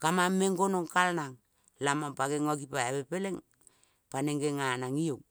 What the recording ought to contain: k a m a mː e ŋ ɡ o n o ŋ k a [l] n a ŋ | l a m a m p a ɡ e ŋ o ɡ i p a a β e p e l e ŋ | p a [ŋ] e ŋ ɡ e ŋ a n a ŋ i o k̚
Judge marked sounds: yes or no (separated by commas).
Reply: yes, no